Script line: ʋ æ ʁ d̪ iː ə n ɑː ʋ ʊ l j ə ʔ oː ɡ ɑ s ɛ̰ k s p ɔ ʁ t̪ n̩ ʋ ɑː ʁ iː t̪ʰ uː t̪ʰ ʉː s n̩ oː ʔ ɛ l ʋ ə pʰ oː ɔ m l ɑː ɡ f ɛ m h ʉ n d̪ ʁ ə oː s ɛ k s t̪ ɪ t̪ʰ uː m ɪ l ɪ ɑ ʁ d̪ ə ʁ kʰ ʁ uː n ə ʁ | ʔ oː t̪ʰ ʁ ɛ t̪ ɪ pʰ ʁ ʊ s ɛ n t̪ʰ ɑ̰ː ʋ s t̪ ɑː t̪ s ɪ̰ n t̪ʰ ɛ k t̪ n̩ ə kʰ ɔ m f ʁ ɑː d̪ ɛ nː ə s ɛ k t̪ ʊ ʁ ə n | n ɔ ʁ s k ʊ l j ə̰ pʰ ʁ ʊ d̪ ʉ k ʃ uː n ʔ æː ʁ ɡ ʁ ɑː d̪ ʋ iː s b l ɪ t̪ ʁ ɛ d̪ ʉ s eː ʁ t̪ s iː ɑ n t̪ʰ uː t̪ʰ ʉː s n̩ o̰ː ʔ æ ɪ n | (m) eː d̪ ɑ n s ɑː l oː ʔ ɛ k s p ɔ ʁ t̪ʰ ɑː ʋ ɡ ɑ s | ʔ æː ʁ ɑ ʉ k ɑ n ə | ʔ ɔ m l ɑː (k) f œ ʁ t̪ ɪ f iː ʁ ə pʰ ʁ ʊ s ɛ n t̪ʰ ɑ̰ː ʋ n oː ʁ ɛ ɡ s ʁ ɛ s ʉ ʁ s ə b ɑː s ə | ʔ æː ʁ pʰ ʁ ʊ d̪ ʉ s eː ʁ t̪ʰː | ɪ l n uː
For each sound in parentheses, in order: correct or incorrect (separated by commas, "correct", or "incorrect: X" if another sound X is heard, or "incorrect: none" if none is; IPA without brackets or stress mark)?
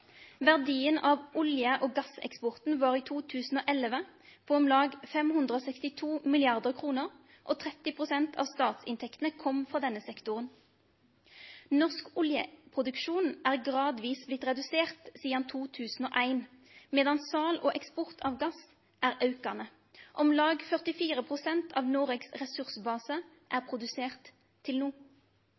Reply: correct, incorrect: ɡ